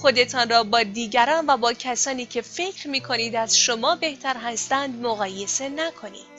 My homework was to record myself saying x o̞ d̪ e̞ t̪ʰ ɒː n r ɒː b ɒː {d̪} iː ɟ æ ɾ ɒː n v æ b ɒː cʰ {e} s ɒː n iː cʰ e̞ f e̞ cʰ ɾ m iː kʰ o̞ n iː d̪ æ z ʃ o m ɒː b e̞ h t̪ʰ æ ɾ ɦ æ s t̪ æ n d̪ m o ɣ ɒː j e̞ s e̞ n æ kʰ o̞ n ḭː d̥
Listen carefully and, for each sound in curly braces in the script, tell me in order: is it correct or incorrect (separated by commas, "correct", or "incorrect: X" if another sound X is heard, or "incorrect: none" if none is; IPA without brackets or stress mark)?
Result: correct, incorrect: æ